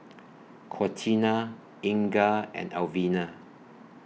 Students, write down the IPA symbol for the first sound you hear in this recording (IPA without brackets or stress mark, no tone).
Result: kʰ